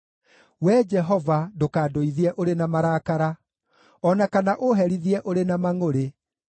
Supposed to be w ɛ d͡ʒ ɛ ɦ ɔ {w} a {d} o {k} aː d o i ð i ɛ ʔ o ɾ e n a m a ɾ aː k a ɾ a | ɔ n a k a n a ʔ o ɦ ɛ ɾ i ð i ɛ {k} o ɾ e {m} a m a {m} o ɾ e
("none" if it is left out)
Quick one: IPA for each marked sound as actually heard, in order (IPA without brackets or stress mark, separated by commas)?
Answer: v, d, k, ʔ, n, ŋ